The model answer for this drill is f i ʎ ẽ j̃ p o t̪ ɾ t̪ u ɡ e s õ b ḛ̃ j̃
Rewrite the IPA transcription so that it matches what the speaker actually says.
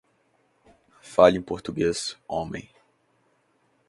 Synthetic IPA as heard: f a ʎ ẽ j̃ p o ɾ t̪ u ɡ e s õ m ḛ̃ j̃